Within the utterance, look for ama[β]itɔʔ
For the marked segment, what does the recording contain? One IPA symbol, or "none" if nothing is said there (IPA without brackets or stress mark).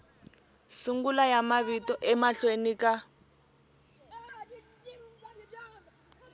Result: β